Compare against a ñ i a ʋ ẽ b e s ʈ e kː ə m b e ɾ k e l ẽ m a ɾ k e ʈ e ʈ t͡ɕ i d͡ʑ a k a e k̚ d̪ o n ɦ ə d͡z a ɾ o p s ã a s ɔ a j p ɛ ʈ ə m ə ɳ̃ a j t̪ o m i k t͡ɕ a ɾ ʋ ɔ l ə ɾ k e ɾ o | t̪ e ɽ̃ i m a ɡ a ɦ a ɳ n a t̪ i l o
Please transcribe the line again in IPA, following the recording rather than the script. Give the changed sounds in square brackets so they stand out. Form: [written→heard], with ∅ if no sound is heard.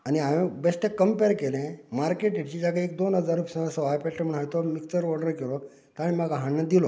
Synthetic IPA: a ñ i a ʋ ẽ b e s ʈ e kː ə m [b→p] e ɾ k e l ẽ m a ɾ k e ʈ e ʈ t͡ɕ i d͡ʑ a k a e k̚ d̪ o n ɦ ə d͡z a ɾ [o→u] p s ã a s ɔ a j p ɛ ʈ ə m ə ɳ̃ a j t̪ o m i k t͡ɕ [a→ə] ɾ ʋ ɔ [l→ɽ] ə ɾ k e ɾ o | t̪ [e→a] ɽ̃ i m a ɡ a ɦ a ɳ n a [t̪→d̪] i l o